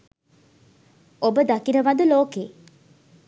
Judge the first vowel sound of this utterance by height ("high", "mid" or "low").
mid